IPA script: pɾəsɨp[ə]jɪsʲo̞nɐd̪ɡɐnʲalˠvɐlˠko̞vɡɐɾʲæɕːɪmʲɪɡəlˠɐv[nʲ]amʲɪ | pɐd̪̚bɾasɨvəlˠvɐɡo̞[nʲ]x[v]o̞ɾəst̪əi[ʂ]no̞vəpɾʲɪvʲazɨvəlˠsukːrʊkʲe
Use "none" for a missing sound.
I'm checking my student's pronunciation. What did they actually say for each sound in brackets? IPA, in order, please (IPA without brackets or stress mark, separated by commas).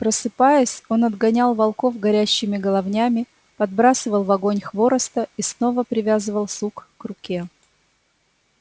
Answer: a, nʲ, nʲ, v, s